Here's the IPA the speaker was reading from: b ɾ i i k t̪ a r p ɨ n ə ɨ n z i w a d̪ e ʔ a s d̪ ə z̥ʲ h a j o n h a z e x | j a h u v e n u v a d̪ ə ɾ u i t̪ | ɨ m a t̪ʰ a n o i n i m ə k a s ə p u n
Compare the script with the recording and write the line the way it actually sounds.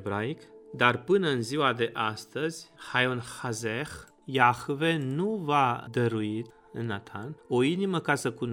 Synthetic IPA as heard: b ɾ a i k d̪ a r p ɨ n ə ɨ n z i w a d̪ e ʔ a s t̪ ə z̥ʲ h a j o n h a z e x | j a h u v e n u v a d̪ ə ɾ u i t̪ | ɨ n a t̪ʰ a n o i n i m ə k a s ə k u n